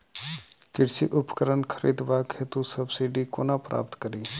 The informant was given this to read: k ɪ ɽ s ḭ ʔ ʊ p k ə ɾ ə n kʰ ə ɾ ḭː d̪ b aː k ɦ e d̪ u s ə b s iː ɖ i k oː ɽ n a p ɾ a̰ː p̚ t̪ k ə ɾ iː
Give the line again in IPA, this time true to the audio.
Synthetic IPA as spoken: k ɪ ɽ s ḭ ʔ ʊ p k ə ɾ ə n kʰ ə ɾ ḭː d̪ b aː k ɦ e t̪ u s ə b s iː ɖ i k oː n a p ɾ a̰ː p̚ t̪ k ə ɾ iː